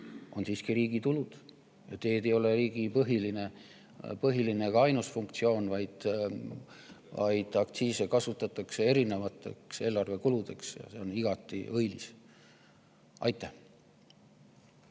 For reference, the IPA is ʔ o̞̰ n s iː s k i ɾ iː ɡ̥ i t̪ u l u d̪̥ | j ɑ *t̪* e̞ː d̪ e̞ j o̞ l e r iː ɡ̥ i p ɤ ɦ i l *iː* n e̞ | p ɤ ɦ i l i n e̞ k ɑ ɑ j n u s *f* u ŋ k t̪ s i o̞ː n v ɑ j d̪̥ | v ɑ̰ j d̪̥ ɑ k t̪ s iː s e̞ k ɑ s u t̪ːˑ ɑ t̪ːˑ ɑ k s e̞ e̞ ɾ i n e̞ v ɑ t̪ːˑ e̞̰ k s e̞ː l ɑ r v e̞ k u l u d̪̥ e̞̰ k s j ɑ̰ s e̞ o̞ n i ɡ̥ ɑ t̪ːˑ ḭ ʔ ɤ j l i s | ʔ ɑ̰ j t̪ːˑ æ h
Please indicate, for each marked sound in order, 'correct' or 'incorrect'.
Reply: correct, incorrect: i, correct

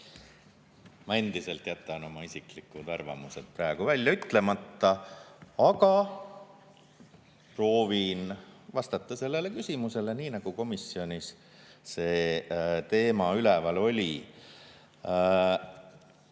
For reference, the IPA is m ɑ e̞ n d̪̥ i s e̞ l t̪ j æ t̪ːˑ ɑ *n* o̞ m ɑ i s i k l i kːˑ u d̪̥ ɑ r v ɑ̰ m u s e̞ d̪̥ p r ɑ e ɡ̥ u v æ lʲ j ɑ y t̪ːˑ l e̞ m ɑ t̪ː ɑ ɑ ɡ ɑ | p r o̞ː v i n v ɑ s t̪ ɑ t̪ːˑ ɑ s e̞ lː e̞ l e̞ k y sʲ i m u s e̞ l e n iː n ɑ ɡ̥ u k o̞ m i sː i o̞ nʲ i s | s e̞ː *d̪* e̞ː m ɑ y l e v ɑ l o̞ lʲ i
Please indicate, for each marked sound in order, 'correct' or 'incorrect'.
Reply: correct, incorrect: t̪

